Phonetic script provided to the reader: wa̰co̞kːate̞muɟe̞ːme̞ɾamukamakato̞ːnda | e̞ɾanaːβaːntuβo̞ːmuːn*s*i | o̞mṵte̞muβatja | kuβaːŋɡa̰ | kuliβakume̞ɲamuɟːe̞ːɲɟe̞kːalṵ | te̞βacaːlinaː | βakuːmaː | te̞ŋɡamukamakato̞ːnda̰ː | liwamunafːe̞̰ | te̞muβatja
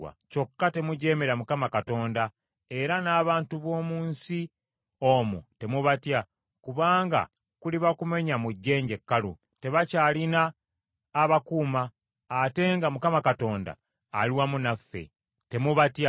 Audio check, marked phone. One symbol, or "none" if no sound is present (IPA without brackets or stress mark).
s